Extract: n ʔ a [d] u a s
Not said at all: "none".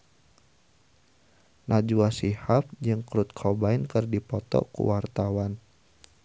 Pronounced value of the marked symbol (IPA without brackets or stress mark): d͡ʒ